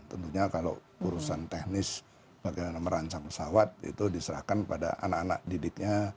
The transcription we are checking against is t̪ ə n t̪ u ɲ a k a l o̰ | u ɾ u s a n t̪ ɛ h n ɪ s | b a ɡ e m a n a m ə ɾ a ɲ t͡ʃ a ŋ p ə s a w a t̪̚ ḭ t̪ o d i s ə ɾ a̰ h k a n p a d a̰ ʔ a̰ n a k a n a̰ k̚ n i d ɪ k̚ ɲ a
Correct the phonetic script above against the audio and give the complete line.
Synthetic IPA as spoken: t̪ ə n t̪ u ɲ a k a l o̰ | u ɾ u s a n t̪ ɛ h n ɪ s | b a ɡ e m a n a m ə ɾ a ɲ t͡ʃ a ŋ p ə s a w a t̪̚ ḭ t̪ u d i s ə ɾ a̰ h k a n p a d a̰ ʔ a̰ n a k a n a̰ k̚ d i d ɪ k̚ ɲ a